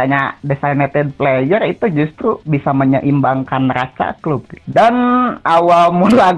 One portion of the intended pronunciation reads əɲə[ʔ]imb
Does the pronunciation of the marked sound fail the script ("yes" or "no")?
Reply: no